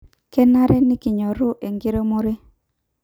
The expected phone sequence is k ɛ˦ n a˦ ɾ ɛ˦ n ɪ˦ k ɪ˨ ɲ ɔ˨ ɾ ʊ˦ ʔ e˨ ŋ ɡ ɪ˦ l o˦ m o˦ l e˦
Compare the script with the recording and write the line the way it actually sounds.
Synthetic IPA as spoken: k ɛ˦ n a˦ ɾ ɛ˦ n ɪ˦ k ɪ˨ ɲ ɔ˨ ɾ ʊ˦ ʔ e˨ ŋ ɡ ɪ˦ ɾ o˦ m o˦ ɾ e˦